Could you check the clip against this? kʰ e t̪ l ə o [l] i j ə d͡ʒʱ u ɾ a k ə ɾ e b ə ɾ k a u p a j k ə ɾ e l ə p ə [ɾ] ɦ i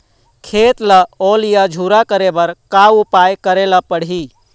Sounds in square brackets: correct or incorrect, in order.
correct, incorrect: ɽ

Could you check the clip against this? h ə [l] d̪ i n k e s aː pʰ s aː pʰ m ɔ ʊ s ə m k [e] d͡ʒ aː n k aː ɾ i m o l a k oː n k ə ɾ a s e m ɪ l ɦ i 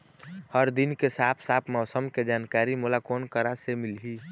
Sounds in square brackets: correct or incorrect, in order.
incorrect: ɾ, correct

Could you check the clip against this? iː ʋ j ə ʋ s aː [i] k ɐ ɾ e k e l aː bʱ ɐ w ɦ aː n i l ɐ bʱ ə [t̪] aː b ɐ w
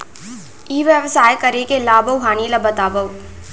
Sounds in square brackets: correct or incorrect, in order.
incorrect: j, correct

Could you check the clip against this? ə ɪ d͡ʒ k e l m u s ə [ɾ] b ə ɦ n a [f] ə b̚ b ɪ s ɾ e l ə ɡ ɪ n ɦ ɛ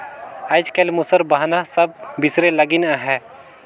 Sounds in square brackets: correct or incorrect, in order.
correct, incorrect: s

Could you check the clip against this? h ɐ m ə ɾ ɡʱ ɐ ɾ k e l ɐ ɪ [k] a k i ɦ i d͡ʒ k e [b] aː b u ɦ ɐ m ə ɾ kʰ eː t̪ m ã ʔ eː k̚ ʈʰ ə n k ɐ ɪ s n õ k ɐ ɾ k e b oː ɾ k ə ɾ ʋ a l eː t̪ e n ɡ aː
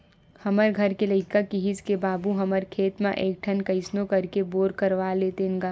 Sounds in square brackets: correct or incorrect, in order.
correct, correct

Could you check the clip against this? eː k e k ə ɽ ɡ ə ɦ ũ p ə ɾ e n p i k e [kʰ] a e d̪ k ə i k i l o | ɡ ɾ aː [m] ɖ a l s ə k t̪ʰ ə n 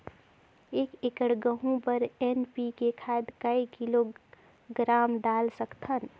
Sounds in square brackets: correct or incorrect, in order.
correct, correct

